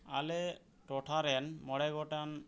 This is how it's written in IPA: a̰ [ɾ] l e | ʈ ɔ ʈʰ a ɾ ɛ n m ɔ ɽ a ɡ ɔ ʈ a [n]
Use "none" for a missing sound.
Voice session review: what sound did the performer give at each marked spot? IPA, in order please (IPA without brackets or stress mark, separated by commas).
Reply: none, n